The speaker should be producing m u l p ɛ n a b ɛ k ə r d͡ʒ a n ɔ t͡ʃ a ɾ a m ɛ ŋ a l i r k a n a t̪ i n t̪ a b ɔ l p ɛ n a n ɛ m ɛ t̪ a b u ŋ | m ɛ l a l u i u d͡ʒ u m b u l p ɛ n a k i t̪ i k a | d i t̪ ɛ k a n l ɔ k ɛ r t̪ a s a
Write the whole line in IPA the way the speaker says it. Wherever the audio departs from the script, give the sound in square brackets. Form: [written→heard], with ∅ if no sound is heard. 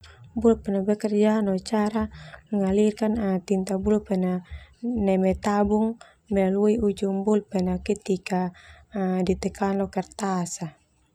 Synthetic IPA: [m→b] u l p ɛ n a b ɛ k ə r d͡ʒ a n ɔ t͡ʃ a ɾ a m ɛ ŋ a l i r k a n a t̪ i n t̪ a b [ɔ→u] l p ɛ n a n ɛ m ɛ t̪ a b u ŋ | m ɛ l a l u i u d͡ʒ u m b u l p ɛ n a k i t̪ i k a | d i t̪ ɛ k a n l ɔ k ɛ r t̪ a s a